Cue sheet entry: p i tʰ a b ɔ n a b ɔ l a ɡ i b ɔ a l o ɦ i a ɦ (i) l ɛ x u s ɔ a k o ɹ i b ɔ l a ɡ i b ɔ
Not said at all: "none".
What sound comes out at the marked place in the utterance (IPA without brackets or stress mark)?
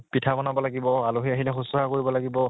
i